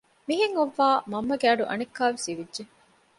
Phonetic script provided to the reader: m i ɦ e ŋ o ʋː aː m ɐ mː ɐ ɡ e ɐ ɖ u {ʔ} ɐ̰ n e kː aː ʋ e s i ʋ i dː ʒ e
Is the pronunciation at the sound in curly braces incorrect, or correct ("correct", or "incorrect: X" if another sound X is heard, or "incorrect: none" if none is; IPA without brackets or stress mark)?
correct